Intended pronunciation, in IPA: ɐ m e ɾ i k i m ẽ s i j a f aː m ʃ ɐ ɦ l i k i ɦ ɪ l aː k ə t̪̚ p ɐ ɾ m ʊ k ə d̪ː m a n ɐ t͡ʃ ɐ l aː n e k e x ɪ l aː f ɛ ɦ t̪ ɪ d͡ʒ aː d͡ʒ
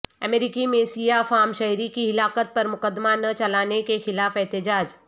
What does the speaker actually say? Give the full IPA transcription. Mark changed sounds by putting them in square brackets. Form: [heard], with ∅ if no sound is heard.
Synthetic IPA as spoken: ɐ m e ɾ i k i m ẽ s i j a f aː m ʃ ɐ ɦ [ɾ] i k i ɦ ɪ l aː k ə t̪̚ p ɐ ɾ m ʊ k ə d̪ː m a n ɐ t͡ʃ ɐ l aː n e k e x ɪ l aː f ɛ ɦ t̪ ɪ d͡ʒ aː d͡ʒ

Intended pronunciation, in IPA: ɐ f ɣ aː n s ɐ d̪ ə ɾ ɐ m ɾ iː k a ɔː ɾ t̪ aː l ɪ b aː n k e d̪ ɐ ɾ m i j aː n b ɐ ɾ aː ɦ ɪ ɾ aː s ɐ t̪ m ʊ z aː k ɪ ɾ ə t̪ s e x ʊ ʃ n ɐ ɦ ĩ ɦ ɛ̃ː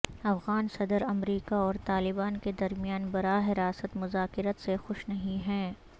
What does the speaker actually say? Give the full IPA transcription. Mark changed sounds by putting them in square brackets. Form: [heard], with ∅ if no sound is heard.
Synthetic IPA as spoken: ɐ f ɣ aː n s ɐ d̪ ə ɾ ɐ m ɾ iː k a ɔː ɾ t̪ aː l ɪ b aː n k e d̪ ɐ ɾ m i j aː n b ɐ ɾ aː ɦ ɪ ɾ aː s [ə] t̪ m ʊ z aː k ɪ ɾ ə t̪ s e x ʊ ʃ n ɐ ɦ ĩ ɦ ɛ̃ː

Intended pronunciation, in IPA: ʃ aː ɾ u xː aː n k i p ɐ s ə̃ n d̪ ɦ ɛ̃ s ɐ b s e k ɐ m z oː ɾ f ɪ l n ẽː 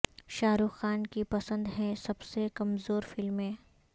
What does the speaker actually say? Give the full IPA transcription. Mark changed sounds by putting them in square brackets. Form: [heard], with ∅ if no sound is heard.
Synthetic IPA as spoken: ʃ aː ɾ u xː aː n k i p ɐ s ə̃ n d̪ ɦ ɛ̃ s ɐ b s e k ɐ m z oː ɾ f ɪ l [m] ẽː

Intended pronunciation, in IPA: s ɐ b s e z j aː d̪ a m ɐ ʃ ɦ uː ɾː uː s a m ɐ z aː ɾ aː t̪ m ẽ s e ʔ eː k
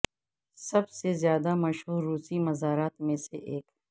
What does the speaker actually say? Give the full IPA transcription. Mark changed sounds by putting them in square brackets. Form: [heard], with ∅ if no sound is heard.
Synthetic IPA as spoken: s ɐ b s e z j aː d̪ a m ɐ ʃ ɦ uː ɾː uː s [i] m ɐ z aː ɾ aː t̪ m ẽ s e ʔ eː k

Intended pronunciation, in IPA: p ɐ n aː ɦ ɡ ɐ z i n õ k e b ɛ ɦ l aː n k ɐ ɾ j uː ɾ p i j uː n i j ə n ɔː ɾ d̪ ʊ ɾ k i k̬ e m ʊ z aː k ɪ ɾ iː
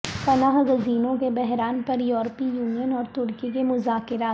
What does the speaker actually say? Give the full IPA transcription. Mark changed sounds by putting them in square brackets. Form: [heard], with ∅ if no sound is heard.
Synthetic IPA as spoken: p ɐ n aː ɦ ɡ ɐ z [iː] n õ k e b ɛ ɦ [ɾ] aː n [p] ɐ ɾ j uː ɾ p i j uː n i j ə n ɔː ɾ [t̪] ʊ ɾ k i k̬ e m ʊ z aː k ɪ ɾ [aː]

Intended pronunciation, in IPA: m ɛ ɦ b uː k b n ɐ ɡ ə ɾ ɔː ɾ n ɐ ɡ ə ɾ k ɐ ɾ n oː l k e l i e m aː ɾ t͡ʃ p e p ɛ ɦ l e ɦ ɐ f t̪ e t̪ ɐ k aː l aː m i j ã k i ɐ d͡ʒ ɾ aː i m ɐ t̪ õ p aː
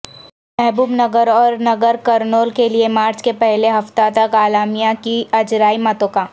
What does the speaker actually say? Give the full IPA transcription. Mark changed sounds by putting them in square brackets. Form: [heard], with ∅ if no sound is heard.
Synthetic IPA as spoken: m ɛ ɦ b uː [∅] b n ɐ ɡ ə ɾ ɔː ɾ n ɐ ɡ ə ɾ k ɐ ɾ n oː l k e l i e m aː ɾ t͡ʃ [k] e p ɛ ɦ l e ɦ ɐ f t̪ [a] t̪ ɐ k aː l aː m i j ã k i ɐ d͡ʒ ɾ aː i m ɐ t̪ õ [k] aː

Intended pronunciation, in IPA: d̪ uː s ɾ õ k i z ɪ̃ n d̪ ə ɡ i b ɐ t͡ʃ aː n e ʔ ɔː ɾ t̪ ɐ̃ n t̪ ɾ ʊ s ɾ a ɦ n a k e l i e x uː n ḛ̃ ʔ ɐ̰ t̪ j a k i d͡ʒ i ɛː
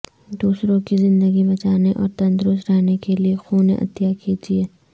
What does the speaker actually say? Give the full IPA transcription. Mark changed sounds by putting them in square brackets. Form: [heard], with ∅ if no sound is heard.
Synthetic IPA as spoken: d̪ uː s ɾ õ k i z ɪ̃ n d̪ ə ɡ i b ɐ t͡ʃ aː n e ʔ ɔː ɾ t̪ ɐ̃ n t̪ ɾ ʊ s ɾ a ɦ n [e] k e l i e x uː n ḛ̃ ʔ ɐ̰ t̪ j a k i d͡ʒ i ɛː

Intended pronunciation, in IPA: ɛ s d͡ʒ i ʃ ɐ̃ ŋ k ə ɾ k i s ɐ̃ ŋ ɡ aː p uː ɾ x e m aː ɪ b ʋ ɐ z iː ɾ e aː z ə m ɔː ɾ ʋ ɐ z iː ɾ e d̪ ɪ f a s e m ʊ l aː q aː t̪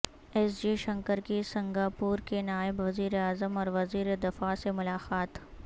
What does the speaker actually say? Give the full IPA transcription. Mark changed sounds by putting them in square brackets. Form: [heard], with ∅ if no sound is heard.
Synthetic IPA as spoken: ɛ s d͡ʒ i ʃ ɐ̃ ŋ k ə ɾ k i s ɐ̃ ŋ ɡ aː p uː ɾ [k] e [n] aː ɪ b ʋ ɐ z iː ɾ e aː z ə m ɔː ɾ ʋ ɐ z iː ɾ e d̪ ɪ f a s e m ʊ l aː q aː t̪

